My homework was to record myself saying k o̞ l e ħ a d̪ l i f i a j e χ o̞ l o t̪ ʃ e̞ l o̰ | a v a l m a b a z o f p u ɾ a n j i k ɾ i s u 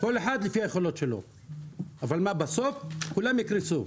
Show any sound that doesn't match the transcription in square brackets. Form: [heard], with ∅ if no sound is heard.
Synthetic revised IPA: k o̞ l e ħ a d̪ l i f i a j e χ o̞ l o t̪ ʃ e̞ l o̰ | a v a l m a b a [s] o f [k] u [l] a [m] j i k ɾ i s u

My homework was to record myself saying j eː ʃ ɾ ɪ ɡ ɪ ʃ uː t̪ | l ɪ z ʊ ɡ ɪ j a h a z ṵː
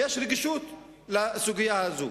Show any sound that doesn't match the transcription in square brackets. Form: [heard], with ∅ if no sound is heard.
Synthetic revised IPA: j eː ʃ ɾ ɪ ɡ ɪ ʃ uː t̪ | l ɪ [s] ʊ ɡ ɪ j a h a z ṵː

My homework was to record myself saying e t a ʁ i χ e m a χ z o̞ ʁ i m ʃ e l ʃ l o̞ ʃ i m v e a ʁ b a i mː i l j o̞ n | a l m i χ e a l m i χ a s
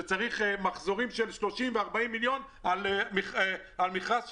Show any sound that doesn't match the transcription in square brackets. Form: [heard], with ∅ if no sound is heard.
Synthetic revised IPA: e [t͡s] a ʁ i χ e m a χ z o̞ ʁ i m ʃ e l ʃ l o̞ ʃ i m v e a ʁ b a i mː i l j o̞ n | a l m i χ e a l m i χ a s

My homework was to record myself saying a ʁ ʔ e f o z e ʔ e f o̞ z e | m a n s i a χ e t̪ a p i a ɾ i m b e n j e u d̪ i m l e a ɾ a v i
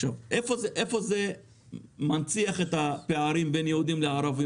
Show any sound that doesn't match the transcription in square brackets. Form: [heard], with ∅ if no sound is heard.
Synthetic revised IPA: a [v] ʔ e f o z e ʔ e f o̞ z e | m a n [t͡s] i a χ e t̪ a p [e] a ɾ i m b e n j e u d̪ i m l e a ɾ a v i

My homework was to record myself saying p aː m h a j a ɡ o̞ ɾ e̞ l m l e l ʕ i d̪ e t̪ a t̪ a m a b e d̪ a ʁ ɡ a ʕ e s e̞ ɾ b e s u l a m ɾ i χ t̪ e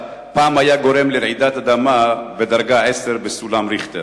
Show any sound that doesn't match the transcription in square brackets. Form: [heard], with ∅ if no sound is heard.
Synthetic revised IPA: p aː m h a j a ɡ o̞ ɾ e̞ [∅] m l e [ɾ] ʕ i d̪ [a] t̪ a [d̪] a m a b e d̪ a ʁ ɡ a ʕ e s e̞ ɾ b e s u l a m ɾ i χ t̪ e

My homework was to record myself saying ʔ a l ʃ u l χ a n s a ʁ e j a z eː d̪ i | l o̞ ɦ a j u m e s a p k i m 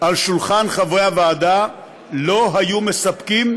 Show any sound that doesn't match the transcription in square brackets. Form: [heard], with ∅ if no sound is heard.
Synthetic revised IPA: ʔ a l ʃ u l χ a n [χ] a [v] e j a [v] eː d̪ [a] | l o̞ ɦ a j u m e s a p k i m

